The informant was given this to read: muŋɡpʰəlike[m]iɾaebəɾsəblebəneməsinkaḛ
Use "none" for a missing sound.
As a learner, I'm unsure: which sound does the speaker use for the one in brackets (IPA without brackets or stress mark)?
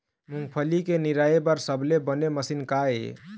n